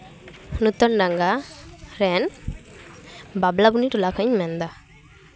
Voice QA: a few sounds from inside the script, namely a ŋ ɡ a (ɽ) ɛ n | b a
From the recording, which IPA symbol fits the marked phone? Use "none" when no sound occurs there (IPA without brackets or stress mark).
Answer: ɾ